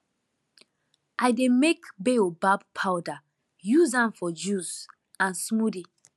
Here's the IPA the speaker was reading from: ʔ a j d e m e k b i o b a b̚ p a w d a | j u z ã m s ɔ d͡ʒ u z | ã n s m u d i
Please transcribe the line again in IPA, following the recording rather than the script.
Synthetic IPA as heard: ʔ a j d e m e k b e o b a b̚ pʰ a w d a | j u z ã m f ɔ d͡ʒ u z | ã n s m u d i